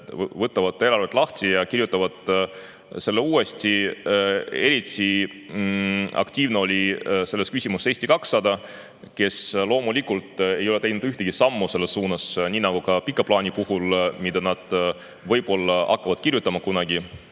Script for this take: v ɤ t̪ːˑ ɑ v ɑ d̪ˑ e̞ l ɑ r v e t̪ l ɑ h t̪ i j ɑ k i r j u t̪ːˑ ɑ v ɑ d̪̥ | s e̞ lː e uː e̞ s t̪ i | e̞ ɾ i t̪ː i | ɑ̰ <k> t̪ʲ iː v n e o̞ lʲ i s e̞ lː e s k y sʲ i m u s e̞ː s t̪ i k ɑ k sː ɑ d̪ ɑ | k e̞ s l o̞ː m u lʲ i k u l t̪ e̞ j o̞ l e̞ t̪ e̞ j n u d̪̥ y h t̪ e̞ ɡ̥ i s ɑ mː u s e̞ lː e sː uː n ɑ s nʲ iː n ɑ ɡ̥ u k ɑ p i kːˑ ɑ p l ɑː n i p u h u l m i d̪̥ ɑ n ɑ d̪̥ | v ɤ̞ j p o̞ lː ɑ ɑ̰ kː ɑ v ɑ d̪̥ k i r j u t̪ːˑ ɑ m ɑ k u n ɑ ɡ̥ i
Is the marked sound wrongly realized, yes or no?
no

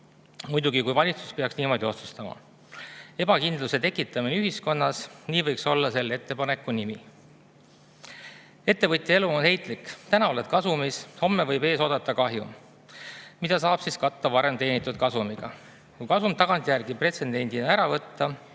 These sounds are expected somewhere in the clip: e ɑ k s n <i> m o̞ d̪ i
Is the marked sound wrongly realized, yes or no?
yes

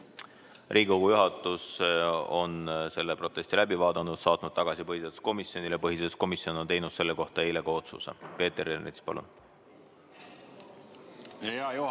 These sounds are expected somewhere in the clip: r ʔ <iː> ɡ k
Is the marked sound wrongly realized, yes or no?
no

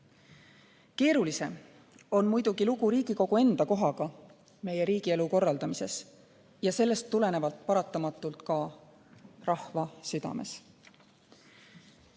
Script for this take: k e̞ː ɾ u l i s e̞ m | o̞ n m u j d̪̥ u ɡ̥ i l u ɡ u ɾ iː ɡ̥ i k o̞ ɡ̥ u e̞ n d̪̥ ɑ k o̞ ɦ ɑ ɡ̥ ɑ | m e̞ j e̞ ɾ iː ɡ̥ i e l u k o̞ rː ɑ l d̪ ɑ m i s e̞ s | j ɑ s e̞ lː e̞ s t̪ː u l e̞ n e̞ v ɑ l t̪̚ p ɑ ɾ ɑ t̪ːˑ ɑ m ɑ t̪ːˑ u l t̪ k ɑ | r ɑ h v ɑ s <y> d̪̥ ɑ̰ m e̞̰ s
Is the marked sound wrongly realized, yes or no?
no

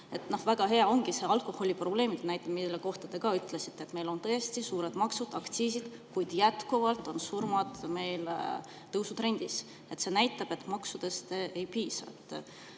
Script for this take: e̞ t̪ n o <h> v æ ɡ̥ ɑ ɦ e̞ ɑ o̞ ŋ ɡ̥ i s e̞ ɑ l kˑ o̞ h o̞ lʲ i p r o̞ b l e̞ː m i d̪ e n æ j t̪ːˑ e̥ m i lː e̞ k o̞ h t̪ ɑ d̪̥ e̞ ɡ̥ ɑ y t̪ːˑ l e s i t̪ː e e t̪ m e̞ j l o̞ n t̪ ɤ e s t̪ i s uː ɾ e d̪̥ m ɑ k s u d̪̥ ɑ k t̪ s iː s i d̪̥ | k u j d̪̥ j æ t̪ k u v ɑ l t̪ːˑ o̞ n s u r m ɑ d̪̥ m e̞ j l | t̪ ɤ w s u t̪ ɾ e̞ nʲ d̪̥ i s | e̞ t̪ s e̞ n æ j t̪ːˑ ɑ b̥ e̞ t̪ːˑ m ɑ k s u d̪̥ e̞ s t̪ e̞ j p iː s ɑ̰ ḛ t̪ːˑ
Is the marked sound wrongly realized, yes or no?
no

